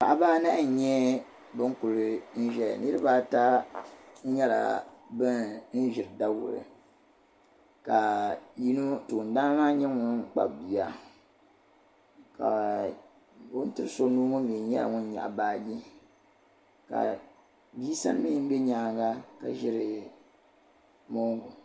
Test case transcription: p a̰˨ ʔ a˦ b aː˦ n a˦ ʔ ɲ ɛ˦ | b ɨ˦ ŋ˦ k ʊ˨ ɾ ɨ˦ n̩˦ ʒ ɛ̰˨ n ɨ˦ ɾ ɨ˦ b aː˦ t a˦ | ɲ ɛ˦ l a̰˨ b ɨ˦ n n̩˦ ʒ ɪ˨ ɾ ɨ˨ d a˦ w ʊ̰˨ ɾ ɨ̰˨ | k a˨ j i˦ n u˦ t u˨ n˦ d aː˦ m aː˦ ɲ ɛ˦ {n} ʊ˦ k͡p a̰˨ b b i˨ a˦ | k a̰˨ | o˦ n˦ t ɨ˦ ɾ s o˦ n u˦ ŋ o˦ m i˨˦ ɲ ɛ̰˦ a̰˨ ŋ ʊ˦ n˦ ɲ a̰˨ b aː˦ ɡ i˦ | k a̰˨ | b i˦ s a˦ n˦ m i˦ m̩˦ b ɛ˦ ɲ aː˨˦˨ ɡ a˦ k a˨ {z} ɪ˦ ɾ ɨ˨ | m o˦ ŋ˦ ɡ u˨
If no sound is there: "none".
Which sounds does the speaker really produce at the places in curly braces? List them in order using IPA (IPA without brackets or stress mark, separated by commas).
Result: ŋ, ʒ